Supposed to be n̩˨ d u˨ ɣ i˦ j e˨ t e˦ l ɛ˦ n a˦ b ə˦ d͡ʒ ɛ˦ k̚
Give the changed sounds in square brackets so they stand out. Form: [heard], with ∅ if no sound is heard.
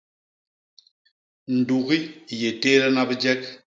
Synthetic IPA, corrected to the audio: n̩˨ d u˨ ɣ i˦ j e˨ t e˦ l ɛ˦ n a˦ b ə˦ d͡ʒ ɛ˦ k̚